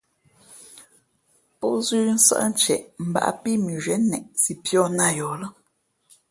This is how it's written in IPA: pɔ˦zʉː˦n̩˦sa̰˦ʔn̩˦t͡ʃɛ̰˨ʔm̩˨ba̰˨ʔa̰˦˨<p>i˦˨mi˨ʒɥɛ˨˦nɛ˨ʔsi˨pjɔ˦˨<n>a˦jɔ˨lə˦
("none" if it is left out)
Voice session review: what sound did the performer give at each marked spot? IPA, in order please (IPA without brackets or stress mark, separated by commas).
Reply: p, n